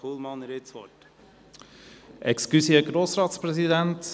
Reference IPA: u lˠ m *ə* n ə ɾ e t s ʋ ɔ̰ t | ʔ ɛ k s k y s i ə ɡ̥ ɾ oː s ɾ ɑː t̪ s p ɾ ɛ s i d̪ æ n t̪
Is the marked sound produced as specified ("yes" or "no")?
no